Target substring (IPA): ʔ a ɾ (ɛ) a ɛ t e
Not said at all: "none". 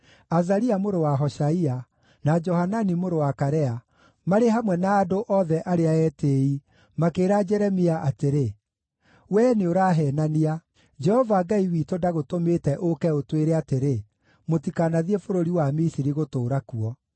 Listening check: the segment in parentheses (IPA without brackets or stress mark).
e